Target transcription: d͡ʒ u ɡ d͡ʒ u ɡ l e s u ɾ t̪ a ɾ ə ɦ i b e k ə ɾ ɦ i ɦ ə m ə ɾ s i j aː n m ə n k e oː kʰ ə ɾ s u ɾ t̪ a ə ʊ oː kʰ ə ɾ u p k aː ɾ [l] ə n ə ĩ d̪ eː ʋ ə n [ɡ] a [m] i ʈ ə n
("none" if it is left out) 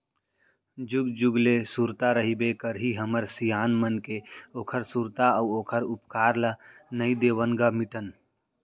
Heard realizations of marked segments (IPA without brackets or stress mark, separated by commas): l, ɡ, m